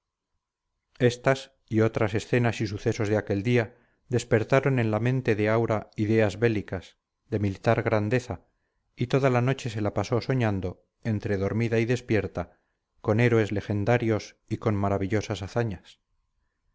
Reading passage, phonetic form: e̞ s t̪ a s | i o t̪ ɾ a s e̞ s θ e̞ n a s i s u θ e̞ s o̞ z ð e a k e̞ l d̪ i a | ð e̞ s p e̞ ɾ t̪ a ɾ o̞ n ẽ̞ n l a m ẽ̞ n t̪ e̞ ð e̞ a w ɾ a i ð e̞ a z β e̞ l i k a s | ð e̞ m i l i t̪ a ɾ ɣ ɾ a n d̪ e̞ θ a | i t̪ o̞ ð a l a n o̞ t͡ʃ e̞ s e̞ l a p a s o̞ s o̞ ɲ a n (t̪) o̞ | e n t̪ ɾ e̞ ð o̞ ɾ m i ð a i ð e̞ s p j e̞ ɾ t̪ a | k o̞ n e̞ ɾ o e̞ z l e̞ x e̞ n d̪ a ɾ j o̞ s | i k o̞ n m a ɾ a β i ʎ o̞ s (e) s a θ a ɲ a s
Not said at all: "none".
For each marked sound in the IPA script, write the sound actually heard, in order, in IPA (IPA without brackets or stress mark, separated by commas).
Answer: d̪, a